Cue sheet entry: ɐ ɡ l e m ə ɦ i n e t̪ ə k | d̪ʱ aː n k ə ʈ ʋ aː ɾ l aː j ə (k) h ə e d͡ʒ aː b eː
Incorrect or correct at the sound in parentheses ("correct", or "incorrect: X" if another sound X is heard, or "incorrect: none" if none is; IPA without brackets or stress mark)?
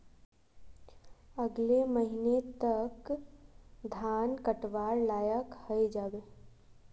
correct